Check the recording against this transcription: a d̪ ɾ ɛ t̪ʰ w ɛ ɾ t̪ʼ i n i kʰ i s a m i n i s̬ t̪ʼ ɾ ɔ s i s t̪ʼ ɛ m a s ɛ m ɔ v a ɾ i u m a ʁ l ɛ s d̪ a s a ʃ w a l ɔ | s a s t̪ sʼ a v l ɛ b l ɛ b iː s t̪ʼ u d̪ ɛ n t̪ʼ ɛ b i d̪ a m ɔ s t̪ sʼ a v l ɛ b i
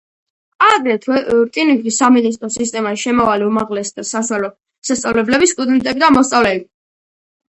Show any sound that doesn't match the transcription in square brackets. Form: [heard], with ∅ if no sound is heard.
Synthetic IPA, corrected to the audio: a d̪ ɾ ɛ t̪ʰ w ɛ ɾ t̪ʼ i n i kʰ i s a m i n i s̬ t̪ʼ ɾ ɔ s i s t̪ʼ ɛ m a [ʃ] ɛ m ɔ v a [l] i u m a ʁ l ɛ s d̪ a s a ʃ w a l ɔ | s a s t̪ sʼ a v l ɛ b l ɛ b [i] s t̪ʼ u d̪ ɛ n t̪ʼ ɛ b i d̪ a m ɔ s t̪ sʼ a v l ɛ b i